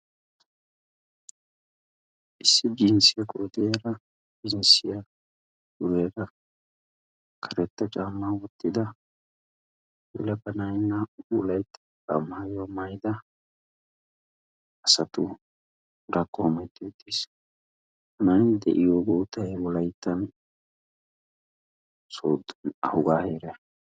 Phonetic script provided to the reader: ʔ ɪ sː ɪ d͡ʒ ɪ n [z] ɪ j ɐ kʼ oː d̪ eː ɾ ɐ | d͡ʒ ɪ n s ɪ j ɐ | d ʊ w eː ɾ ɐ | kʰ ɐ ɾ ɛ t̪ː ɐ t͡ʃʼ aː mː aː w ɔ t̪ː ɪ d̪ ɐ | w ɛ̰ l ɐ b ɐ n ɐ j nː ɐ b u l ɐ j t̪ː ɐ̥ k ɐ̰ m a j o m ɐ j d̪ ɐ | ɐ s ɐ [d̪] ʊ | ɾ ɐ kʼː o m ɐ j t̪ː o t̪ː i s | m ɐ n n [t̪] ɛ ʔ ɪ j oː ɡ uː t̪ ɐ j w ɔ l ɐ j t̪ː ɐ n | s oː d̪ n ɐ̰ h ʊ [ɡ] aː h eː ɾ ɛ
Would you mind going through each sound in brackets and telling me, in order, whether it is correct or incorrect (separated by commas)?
incorrect, incorrect, incorrect, correct